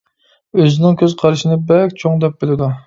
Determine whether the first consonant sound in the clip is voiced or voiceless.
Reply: voiced